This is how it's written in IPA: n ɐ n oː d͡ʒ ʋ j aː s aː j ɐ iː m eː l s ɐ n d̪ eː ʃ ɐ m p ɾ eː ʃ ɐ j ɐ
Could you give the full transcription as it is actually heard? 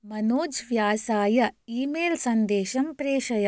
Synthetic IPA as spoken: m ɐ n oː d͡ʒ ʋ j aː s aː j ɐ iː m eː l s ɐ n d̪ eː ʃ ɐ m p ɾ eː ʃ ɐ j ɐ